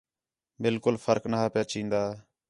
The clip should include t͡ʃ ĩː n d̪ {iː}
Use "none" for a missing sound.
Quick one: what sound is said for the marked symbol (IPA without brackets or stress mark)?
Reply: aː